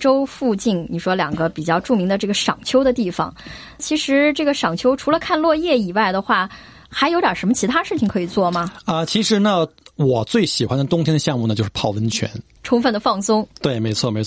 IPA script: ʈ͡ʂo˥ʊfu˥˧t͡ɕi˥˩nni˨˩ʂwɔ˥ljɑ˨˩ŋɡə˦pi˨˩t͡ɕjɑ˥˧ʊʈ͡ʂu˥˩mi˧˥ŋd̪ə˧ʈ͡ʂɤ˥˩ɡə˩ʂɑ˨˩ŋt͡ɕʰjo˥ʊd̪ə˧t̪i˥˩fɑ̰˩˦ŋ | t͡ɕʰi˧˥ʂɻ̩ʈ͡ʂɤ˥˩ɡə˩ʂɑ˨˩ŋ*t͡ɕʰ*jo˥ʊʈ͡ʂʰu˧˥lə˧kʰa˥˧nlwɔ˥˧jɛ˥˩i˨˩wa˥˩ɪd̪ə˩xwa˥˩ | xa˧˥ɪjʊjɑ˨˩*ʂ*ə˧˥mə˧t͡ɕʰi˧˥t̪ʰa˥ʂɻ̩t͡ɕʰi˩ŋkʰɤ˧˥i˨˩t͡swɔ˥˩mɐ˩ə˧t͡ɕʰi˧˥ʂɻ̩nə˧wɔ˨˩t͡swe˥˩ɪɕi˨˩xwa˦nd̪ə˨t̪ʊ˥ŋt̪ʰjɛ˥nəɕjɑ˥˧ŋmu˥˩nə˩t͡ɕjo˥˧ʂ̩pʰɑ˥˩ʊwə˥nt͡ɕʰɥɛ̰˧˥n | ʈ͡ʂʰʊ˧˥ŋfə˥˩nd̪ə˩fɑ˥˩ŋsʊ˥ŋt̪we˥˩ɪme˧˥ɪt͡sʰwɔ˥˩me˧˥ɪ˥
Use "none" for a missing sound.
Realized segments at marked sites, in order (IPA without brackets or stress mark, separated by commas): t͡ɕʰ, ʂ